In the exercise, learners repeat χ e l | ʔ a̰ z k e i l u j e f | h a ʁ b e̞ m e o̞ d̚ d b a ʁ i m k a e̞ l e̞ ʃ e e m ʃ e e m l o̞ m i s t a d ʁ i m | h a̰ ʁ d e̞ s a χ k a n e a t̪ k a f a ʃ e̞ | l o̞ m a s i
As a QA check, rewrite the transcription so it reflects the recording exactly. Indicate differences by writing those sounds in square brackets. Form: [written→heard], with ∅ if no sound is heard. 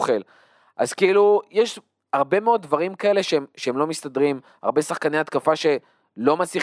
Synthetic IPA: χ e l | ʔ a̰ z k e i l u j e [f→ʃ] | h a ʁ b e̞ m e o̞ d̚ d [b→v] a ʁ i m k a e̞ l e̞ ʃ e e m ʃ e e m l o̞ m i s t a d ʁ i m | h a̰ ʁ [d→b] e̞ s a χ k a n e a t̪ k a f a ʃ e̞ | l o̞ m a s i